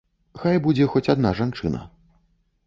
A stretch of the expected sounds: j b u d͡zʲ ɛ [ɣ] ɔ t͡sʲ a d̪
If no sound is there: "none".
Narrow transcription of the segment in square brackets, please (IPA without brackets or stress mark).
x